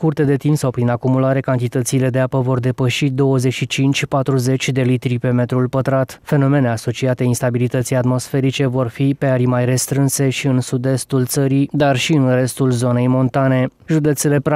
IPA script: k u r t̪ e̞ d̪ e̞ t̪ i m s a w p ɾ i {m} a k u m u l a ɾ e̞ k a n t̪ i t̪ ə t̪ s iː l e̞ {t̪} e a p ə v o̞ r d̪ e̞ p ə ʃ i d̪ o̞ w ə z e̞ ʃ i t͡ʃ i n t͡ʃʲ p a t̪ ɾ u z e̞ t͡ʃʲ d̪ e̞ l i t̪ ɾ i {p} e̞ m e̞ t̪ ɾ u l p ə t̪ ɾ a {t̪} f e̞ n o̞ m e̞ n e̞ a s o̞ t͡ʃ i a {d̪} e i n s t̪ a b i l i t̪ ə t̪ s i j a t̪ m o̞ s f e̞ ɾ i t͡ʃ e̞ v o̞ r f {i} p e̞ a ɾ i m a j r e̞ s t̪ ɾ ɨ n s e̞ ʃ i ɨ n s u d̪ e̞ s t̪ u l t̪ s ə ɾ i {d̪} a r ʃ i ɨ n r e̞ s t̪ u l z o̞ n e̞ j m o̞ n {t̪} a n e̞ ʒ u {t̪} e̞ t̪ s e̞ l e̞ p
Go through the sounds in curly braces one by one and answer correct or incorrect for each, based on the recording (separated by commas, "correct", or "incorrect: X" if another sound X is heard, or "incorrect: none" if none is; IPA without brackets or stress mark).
incorrect: n, incorrect: d̪, correct, correct, incorrect: t̪, correct, correct, correct, incorrect: d̪